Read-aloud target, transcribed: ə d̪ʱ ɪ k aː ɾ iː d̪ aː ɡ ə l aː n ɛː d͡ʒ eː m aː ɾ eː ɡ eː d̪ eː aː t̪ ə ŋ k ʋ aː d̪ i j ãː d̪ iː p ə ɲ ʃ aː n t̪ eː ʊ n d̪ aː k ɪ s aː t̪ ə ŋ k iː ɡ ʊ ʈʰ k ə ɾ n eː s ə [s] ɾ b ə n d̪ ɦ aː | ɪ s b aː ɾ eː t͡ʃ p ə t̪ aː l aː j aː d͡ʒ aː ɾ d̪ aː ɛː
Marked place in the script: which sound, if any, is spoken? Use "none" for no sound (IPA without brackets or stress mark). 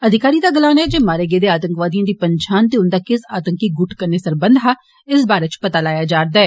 none